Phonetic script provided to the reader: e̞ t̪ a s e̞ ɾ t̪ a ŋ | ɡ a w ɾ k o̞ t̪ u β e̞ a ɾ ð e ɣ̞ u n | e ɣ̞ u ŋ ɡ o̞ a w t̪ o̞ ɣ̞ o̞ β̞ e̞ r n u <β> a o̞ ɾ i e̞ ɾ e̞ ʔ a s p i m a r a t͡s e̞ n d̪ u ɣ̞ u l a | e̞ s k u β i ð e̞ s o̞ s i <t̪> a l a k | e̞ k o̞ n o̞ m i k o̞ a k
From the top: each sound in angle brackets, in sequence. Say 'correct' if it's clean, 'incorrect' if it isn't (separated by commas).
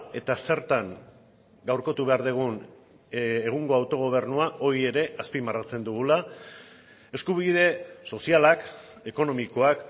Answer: incorrect, incorrect